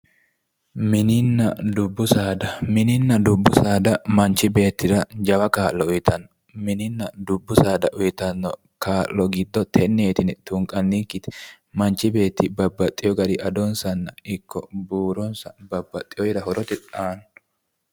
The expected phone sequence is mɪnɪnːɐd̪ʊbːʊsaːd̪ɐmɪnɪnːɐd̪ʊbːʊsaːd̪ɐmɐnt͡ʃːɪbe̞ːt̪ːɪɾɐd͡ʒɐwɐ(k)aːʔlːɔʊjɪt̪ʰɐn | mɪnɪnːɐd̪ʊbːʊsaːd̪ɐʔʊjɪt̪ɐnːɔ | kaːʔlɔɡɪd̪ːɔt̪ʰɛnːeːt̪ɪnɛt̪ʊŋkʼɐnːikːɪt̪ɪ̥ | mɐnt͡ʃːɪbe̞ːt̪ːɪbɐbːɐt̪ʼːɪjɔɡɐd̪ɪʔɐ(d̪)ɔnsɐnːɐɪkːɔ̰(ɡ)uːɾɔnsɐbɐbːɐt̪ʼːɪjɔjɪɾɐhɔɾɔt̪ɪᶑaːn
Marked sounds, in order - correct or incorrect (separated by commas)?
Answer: correct, correct, incorrect